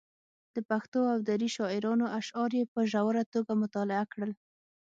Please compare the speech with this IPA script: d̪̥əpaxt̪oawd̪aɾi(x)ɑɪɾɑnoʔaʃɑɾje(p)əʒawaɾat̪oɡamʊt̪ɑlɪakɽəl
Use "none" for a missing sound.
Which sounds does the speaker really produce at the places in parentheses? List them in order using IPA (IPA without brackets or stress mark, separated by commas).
ʃ, p